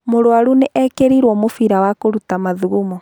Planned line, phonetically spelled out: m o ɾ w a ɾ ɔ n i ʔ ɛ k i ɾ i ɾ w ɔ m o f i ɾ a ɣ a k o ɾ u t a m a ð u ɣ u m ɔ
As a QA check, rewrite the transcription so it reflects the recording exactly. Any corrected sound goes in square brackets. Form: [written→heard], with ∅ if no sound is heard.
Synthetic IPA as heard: m o ɾ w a ɾ [ɔ→u] n [i→e] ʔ ɛ k [i→e] ɾ i ɾ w ɔ m o f i ɾ a [ɣ→w] a k o ɾ u t a m a ð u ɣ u m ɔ